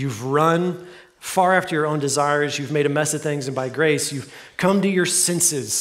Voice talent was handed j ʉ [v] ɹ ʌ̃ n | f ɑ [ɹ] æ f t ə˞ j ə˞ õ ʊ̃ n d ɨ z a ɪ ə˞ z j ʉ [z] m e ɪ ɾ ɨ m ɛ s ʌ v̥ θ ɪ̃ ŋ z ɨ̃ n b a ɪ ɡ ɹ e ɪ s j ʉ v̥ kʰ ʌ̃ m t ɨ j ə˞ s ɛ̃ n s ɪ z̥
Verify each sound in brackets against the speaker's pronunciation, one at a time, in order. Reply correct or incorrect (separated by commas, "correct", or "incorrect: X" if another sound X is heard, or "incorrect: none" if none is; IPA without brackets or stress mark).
correct, correct, incorrect: v